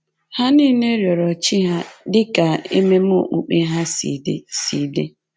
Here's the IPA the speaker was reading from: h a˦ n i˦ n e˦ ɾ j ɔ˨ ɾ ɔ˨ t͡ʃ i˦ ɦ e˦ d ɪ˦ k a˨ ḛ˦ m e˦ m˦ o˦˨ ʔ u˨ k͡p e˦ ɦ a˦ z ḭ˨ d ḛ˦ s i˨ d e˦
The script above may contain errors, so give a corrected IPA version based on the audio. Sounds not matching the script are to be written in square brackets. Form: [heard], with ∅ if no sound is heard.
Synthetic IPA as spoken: h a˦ n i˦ n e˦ ɾ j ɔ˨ ɾ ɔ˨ t͡ʃ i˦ ɦ [a˦] d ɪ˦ k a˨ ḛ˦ m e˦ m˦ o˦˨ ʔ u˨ k͡p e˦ ɦ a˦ [s] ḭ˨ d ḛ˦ s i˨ d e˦